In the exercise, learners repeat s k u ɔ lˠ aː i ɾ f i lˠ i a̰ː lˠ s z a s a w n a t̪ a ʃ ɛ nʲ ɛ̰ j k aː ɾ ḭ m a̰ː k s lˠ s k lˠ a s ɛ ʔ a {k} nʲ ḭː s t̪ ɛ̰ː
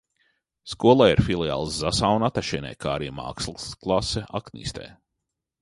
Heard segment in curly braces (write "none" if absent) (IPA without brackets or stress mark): k